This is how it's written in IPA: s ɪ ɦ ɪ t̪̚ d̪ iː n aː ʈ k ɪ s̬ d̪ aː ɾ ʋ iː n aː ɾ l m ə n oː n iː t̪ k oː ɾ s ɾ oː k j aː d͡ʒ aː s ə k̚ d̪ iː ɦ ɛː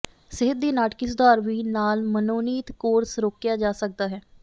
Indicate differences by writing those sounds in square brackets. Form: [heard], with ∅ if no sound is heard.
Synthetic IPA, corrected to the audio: s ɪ ɦ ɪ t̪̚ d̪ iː n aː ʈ k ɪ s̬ d̪ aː ɾ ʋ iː n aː [∅] l m ə n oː n iː t̪ k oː ɾ s ɾ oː k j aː d͡ʒ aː s ə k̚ d̪ [aː] ɦ ɛː